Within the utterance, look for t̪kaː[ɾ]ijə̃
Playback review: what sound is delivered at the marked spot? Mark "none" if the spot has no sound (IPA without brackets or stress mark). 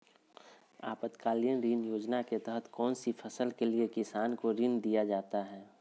l